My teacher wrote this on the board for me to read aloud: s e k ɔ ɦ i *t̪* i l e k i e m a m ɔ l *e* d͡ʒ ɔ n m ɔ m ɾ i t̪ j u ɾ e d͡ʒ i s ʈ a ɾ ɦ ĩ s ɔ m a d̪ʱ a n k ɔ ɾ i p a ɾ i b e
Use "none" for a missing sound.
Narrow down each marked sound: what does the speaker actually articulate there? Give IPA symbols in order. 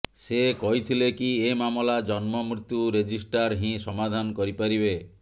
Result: t̪ʰ, a

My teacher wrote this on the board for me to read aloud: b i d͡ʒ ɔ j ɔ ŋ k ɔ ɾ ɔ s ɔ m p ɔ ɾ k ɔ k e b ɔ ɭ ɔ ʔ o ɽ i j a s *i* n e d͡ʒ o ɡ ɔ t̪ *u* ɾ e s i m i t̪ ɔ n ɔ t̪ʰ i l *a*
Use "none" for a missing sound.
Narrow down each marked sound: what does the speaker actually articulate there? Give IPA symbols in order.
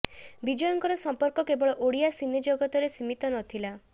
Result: i, ɔ, a

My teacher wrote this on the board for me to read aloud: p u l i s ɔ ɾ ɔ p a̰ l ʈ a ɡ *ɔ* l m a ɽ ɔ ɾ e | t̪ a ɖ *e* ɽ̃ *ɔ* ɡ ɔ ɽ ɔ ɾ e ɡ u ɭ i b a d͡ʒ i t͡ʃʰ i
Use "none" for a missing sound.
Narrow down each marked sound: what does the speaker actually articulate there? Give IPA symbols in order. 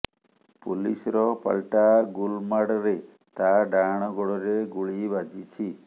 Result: u, a, ɔ

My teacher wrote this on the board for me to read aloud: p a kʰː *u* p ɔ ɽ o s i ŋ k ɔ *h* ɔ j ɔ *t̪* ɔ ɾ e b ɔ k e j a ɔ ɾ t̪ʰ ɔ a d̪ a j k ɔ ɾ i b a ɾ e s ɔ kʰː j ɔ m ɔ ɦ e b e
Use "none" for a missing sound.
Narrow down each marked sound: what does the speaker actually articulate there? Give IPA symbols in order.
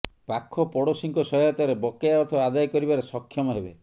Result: ɔ, s, t̪

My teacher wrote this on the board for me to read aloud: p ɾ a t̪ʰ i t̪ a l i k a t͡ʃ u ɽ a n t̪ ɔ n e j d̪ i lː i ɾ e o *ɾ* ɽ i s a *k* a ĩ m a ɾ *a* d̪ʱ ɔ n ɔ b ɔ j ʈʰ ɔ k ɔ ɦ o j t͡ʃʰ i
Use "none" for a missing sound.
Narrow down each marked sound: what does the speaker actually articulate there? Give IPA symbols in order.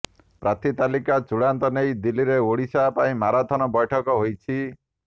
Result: none, p, a

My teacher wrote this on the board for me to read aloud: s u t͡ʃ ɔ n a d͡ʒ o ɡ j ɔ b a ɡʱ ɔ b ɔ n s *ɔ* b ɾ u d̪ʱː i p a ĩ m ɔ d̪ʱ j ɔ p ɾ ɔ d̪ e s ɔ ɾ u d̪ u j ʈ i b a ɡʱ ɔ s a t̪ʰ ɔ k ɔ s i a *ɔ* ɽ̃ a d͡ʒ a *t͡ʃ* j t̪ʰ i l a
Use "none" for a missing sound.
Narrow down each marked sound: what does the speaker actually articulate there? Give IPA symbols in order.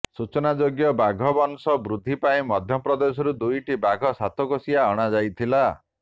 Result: ɔ, ɔ, none

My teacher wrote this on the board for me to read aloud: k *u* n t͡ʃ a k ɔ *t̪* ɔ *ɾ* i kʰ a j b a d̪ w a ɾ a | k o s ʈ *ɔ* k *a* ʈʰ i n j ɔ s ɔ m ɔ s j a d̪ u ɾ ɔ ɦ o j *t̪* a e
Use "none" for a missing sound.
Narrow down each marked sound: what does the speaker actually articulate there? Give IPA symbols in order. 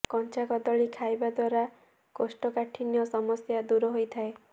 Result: ɔ, d̪, ɭ, ɔ, a, t̪ʰ

